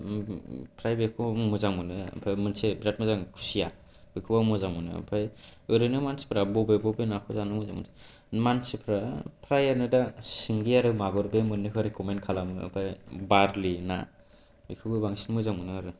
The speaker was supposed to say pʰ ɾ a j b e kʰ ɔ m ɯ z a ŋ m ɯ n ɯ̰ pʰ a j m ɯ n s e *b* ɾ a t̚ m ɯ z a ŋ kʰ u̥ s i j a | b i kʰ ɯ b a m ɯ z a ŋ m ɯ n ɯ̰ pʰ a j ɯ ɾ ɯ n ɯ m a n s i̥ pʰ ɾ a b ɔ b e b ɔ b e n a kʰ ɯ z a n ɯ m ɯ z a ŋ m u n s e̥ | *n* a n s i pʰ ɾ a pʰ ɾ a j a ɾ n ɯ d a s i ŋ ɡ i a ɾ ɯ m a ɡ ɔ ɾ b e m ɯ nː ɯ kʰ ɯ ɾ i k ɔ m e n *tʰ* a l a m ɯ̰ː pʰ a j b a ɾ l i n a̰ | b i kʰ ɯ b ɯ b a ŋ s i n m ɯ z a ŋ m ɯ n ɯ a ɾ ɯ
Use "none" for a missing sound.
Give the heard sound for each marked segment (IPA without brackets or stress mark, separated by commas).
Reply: b, m, kʰ